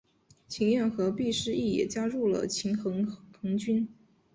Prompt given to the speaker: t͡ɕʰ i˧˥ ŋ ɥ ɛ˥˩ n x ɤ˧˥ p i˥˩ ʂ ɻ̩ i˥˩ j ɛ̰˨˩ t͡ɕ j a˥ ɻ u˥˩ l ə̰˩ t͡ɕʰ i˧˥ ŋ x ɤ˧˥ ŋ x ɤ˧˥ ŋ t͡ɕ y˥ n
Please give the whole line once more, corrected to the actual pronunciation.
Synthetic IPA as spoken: t͡ɕʰ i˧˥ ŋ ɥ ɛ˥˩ n x ɤ˧˥ p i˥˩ ʂ ɻ̩ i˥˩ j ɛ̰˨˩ t͡ɕ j a˥ ɻ u˥˩ l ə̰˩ t͡ɕʰ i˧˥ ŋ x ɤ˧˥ ŋ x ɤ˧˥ ŋ t͡ɕ y˥ n

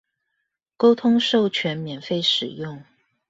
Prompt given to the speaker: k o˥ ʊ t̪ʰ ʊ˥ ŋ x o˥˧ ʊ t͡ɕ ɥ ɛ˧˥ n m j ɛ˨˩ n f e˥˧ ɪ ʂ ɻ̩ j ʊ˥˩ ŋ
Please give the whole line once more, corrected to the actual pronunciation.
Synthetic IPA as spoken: k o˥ ʊ t̪ʰ ʊ˥ ŋ ʂ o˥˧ ʊ t͡ɕʰ ɥ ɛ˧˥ n m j ɛ˨˩ n f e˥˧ ɪ ʂ ɻ̩ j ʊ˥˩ ŋ

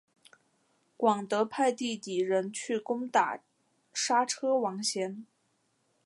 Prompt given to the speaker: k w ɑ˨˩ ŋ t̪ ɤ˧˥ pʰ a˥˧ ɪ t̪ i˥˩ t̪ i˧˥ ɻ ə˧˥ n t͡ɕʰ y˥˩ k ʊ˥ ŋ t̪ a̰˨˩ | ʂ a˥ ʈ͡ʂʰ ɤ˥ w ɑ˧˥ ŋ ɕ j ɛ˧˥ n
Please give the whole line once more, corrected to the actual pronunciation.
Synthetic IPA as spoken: k w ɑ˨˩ ŋ t̪ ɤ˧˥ pʰ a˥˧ ɪ t̪ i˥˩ t̪ i˨˩ ɻ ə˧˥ n t͡ɕʰ y˥˩ k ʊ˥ ŋ t̪ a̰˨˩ | ʂ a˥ ʈ͡ʂʰ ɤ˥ w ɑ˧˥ ŋ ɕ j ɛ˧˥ n

